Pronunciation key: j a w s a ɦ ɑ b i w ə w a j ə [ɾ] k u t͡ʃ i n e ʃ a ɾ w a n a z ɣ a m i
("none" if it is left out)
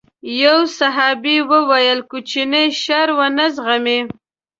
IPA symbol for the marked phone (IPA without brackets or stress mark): l